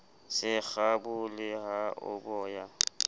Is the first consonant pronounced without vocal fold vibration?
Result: yes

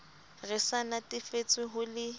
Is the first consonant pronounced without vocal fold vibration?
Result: no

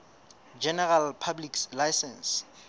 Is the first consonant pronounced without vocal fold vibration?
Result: no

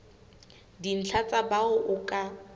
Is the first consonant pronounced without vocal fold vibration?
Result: no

